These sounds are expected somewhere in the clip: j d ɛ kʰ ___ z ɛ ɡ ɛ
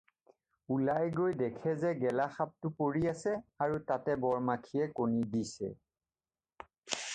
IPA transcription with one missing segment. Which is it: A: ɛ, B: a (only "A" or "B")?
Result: A